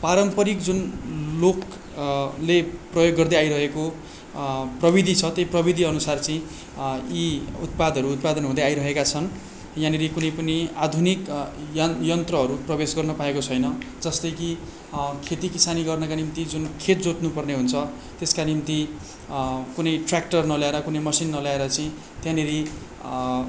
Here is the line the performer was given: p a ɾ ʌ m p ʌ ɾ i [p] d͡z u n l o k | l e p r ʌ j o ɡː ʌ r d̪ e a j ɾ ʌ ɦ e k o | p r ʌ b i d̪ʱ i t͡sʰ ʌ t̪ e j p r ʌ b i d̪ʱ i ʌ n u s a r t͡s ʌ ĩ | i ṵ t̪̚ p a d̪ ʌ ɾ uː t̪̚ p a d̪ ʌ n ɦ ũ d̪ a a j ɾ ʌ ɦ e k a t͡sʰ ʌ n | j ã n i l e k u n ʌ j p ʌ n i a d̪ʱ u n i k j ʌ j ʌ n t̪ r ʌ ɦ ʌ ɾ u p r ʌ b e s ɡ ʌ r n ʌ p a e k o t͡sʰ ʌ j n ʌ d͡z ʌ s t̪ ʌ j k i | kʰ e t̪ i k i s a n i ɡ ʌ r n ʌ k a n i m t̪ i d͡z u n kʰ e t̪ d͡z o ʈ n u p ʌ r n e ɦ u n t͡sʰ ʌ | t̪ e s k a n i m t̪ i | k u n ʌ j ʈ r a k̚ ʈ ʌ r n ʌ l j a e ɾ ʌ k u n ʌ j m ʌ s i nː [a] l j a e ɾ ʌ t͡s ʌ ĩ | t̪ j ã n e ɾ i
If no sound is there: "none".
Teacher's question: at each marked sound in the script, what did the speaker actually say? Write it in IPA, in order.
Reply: k, ʌ

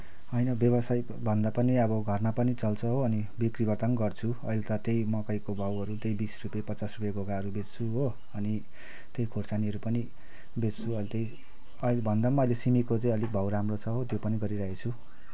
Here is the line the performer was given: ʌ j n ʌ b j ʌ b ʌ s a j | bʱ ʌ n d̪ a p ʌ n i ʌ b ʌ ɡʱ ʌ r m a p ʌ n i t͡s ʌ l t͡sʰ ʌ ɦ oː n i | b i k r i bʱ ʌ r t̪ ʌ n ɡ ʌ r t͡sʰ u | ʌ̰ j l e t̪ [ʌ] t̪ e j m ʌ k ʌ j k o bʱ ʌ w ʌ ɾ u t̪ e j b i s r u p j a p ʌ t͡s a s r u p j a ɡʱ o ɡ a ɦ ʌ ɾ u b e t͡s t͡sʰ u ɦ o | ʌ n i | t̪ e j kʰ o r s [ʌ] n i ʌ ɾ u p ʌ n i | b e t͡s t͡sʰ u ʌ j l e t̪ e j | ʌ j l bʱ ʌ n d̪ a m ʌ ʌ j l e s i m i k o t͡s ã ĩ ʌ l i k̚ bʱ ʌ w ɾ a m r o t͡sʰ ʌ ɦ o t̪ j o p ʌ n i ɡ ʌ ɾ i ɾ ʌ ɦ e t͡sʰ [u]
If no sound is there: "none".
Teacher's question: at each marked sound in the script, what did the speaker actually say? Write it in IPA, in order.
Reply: ʌ, a, u

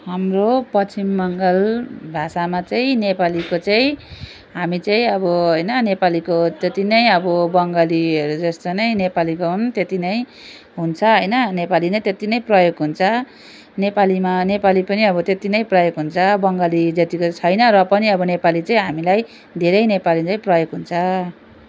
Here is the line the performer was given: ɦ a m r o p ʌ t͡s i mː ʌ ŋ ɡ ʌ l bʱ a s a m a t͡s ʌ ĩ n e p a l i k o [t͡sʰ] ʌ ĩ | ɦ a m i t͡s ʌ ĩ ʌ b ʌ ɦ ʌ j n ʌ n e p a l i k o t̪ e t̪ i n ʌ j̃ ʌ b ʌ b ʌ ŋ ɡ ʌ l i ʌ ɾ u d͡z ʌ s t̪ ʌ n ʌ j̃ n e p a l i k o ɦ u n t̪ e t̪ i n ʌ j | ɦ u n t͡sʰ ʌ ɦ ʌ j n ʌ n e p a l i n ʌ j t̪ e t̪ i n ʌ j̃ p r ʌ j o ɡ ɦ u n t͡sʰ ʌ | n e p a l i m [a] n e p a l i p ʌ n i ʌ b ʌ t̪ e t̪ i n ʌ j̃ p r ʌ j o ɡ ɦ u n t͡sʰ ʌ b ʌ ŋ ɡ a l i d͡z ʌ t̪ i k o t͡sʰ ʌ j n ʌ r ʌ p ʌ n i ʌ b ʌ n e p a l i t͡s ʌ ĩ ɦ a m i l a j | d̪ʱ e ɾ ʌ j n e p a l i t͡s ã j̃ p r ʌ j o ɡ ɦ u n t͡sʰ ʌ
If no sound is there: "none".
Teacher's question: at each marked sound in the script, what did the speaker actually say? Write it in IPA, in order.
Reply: t͡s, a

